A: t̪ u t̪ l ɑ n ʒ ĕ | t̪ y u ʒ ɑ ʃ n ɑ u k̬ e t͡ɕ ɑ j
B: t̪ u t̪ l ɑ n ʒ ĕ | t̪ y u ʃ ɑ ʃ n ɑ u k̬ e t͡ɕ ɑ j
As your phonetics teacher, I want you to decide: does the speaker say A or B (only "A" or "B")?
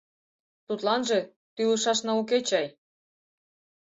B